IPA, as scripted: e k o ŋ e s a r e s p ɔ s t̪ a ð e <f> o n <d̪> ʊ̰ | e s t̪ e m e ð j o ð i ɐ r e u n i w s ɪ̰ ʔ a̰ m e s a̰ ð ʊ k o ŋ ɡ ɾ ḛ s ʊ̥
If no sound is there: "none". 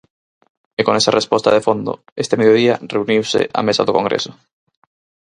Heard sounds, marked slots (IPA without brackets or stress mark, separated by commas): f, d̪